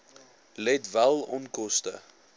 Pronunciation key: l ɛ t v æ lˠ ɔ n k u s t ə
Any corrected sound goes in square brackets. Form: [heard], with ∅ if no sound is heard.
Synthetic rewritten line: l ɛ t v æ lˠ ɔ n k [ɔ] s t ə